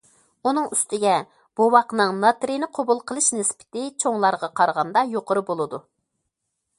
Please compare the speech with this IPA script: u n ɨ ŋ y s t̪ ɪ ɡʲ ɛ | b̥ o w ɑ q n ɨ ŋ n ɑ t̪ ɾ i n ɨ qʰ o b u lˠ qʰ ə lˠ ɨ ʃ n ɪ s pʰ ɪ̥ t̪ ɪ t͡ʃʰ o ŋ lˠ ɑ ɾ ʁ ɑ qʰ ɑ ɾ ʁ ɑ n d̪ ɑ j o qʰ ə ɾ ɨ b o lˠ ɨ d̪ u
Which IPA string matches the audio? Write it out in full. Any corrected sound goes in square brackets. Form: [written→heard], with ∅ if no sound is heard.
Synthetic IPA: u n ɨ ŋ y s t̪ ɪ ɡʲ ɛ | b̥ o w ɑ q n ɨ ŋ n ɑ t̪ ɾ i n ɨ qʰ o b u lˠ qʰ ə lˠ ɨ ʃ n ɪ s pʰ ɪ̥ t̪ ɪ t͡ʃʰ o ŋ lˠ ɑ ɾ ʁ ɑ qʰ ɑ ɾ ʁ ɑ n d̪ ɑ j o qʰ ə ɾ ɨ b o lˠ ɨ d̪ u

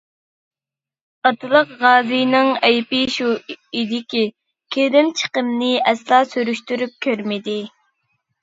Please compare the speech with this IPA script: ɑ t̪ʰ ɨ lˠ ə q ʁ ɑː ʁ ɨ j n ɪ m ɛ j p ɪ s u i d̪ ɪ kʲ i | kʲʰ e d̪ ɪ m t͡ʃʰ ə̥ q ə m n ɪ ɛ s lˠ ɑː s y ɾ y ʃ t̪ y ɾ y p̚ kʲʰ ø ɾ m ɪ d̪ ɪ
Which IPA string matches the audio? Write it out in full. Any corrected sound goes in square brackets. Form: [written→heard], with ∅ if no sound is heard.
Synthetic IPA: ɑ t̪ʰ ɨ lˠ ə q ʁ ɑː [ʁ→z] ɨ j n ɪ [m→ŋ] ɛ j p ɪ [s→ʃ] u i d̪ ɪ kʲ i | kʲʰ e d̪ ɪ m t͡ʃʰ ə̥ q ə m n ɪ ɛ s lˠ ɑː s y ɾ y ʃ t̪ y ɾ y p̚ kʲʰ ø ɾ m ɪ d̪ ɪ

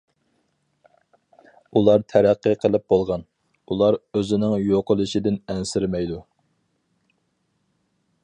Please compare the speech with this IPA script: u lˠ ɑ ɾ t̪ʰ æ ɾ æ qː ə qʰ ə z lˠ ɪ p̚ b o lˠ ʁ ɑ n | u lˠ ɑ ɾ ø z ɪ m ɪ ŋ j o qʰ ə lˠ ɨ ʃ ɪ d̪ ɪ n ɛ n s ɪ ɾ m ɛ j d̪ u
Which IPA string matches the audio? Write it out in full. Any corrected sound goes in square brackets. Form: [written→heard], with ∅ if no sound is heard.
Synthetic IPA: u lˠ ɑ ɾ t̪ʰ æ ɾ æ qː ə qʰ ə [z→∅] lˠ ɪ p̚ b o lˠ ʁ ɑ n | u lˠ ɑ ɾ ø z ɪ [m→n] ɪ ŋ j o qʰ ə lˠ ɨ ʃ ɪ d̪ ɪ n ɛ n s ɪ ɾ m ɛ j d̪ u

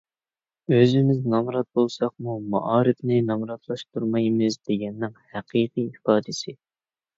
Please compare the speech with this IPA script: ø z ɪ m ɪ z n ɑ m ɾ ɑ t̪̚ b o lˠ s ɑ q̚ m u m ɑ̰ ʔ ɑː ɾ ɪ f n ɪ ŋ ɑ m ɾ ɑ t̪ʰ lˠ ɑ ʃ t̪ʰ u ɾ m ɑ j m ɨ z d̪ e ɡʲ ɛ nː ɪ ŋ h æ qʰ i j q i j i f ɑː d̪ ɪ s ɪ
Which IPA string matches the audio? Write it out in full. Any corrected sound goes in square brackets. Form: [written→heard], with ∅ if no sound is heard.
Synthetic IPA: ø z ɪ m ɪ z n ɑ m ɾ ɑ t̪̚ b o lˠ s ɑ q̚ m u m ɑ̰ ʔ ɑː ɾ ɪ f n ɪ [ŋ→n] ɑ m ɾ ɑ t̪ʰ lˠ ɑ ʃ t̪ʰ u ɾ m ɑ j m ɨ z d̪ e ɡʲ ɛ nː ɪ ŋ h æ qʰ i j q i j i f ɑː d̪ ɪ s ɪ

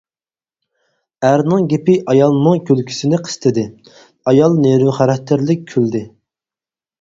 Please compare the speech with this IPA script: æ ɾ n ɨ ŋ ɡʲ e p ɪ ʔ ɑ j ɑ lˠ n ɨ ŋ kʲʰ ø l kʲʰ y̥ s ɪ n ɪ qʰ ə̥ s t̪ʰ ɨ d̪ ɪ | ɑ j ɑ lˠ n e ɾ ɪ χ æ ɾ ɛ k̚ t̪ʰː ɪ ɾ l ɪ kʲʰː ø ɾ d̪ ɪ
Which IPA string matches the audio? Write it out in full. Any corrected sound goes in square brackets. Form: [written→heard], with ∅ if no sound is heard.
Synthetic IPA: æ ɾ n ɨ ŋ ɡʲ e p ɪ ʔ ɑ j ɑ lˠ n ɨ ŋ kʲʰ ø l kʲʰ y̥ s ɪ n ɪ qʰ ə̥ s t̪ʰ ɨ d̪ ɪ | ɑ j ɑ lˠ n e ɾ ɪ χ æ ɾ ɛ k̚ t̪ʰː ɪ ɾ l ɪ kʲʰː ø [ɾ→l] d̪ ɪ

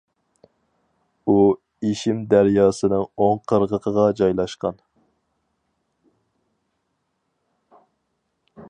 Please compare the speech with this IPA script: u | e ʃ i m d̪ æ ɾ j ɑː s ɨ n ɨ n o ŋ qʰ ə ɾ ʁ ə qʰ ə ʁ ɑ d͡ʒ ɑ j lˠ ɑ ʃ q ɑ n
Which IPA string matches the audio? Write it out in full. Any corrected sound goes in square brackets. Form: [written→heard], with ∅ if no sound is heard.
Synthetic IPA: u | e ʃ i m d̪ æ ɾ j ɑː s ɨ n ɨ [n→ŋ] o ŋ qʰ ə ɾ ʁ ə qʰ ə ʁ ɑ d͡ʒ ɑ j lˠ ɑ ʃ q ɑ n

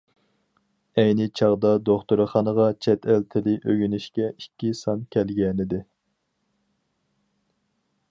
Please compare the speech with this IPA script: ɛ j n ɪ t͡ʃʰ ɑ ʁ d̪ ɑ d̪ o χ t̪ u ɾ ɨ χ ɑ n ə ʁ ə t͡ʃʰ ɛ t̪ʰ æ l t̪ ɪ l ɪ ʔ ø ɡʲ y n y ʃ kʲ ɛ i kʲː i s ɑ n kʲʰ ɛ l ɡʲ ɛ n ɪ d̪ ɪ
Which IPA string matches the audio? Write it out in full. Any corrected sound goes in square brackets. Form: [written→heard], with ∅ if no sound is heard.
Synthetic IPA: ɛ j n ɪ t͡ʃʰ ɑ ʁ d̪ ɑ d̪ o χ t̪ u ɾ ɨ χ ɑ n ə ʁ [ə→ɑ] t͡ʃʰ ɛ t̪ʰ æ l [t̪→t̪ʰ] ɪ l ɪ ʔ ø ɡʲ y n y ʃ kʲ ɛ i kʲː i s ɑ n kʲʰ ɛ l ɡʲ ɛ n ɪ d̪ ɪ

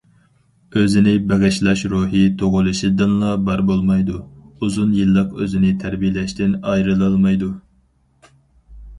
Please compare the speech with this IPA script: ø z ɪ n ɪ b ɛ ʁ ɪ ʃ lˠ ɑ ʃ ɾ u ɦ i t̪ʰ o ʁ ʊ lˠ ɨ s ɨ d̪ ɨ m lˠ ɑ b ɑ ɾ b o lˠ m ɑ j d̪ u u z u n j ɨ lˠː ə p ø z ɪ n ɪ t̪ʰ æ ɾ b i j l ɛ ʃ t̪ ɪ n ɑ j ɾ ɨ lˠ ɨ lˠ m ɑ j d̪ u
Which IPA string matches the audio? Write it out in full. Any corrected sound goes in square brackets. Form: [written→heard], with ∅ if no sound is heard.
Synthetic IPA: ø z ɪ n ɪ b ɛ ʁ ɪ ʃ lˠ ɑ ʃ ɾ u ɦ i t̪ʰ o ʁ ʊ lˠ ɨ [s→ʃ] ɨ d̪ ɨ [m→n] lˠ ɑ b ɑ ɾ b o lˠ m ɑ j d̪ u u z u n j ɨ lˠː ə [p→q] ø z ɪ n ɪ t̪ʰ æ ɾ b i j l ɛ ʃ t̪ ɪ n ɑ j ɾ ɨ lˠ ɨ lˠ m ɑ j d̪ u

